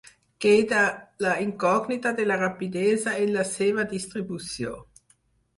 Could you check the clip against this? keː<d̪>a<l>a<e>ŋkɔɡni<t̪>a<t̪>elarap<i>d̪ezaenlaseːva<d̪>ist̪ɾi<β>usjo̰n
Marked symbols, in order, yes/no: yes, yes, no, yes, no, yes, yes, no

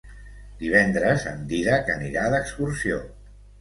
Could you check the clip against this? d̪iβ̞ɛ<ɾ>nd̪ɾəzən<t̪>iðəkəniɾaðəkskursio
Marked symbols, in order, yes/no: no, no

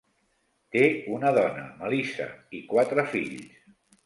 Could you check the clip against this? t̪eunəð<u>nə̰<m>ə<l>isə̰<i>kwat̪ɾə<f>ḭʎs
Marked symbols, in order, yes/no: no, yes, yes, yes, yes

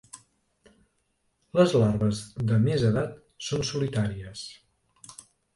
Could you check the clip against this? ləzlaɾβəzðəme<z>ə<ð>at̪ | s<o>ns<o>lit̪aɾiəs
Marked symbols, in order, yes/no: yes, yes, yes, no

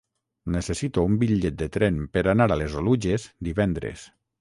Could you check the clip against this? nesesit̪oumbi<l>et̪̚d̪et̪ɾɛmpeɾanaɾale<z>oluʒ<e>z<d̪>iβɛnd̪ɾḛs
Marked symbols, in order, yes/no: no, yes, yes, yes

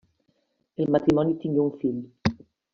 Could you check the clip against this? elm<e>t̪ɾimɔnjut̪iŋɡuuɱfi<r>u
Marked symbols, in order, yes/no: no, no

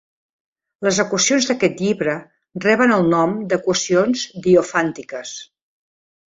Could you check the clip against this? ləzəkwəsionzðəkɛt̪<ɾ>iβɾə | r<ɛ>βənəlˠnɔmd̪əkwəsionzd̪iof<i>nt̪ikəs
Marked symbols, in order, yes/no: no, yes, no

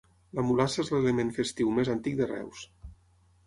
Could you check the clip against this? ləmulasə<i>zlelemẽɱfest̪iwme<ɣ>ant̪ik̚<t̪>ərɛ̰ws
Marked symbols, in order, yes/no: no, no, no

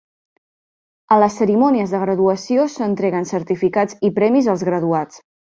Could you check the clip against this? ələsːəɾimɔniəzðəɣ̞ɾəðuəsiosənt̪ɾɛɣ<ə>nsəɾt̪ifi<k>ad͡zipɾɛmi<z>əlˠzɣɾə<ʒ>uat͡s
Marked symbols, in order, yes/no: yes, yes, yes, no

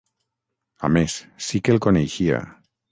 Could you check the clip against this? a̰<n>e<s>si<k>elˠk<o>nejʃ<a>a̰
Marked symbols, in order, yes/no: no, yes, yes, yes, no

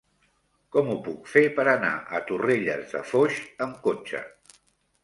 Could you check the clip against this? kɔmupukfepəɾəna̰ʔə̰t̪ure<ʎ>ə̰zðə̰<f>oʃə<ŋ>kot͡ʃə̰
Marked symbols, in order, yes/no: yes, yes, no

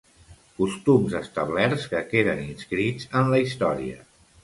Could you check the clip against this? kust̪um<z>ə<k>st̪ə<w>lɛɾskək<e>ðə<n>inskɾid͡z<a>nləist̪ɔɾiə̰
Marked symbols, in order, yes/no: yes, no, no, yes, yes, no

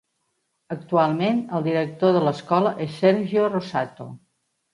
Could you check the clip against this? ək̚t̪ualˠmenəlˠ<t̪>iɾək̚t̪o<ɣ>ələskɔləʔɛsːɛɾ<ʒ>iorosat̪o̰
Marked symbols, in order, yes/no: no, no, yes

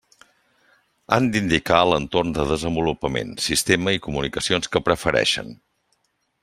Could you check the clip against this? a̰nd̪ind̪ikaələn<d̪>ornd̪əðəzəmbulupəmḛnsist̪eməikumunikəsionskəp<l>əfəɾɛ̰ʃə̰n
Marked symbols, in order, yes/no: no, no

